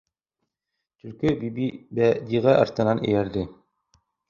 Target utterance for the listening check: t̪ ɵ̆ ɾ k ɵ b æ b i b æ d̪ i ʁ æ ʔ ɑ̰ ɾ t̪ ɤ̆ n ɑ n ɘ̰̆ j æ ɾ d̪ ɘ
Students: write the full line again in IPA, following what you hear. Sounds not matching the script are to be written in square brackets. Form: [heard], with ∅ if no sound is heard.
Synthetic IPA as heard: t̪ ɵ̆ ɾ k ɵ b [i] b i b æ d̪ i ʁ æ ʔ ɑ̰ ɾ t̪ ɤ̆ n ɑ n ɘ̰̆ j æ ɾ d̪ ɘ